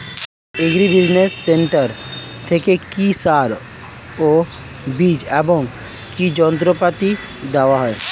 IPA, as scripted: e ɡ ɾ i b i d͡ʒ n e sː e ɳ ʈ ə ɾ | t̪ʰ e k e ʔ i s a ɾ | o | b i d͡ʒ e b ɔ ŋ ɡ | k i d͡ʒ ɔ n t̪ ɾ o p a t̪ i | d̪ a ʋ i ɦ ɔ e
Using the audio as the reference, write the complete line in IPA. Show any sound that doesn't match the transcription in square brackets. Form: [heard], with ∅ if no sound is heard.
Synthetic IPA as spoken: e ɡ ɾ i b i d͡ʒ n e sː e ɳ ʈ ə ɾ | t̪ʰ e k e [k] i s a ɾ | o | b i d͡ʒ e b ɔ ŋ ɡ | k i d͡ʒ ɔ n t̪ ɾ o p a t̪ i | d̪ a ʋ [a] ɦ ɔ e